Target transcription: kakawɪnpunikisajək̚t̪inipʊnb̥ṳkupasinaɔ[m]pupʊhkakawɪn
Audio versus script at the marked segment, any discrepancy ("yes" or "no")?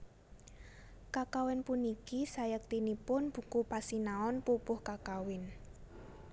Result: yes